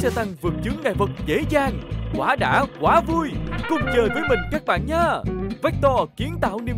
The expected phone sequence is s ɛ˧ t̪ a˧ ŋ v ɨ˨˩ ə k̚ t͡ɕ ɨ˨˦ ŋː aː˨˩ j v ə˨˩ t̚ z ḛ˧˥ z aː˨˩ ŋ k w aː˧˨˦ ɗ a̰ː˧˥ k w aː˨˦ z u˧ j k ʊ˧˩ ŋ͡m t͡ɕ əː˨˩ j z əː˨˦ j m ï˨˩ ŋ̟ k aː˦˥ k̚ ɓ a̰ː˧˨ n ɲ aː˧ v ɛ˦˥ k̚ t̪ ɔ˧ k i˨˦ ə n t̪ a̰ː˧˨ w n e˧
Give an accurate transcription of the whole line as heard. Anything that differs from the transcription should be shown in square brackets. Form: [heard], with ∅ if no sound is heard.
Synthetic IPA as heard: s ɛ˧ t̪ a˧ ŋ v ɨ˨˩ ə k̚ t͡ɕ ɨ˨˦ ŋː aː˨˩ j v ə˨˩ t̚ z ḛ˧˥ z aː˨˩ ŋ k w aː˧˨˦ ɗ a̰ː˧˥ k w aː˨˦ [v] u˧ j k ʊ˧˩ ŋ͡m t͡ɕ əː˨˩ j [v] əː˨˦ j m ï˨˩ ŋ̟ k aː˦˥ k̚ ɓ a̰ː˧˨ n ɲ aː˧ v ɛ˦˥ k̚ t̪ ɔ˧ k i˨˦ ə n t̪ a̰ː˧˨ w n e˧